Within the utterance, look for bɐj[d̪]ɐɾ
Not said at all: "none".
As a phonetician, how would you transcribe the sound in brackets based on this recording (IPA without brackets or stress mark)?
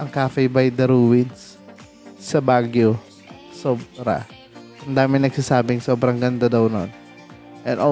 d̪